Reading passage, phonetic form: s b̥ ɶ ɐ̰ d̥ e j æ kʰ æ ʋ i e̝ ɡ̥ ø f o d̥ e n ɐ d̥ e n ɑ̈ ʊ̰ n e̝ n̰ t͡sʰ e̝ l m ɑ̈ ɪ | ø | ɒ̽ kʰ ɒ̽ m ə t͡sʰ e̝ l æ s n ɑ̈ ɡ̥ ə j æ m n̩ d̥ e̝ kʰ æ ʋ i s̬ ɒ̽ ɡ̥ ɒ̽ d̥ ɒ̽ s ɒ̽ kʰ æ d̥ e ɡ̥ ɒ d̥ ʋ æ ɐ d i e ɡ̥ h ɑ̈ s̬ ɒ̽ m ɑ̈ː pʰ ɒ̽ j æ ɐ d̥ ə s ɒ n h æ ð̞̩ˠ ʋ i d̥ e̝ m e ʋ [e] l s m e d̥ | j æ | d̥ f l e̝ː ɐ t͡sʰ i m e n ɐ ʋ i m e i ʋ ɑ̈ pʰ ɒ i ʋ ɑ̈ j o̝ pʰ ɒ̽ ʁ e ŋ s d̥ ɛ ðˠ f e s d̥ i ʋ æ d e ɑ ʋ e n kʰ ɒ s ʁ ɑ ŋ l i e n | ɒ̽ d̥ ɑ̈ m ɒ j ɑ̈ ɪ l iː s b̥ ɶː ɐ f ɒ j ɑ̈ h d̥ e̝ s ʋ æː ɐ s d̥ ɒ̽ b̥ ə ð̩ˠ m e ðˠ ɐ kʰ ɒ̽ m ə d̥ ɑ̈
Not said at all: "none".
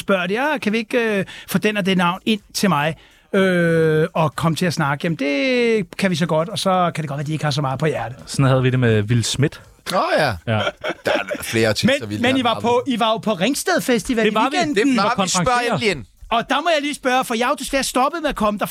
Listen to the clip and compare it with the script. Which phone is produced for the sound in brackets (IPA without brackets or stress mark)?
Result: i